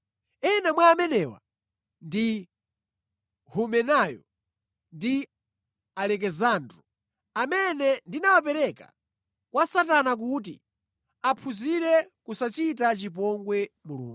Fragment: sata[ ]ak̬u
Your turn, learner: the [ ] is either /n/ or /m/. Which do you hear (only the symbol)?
n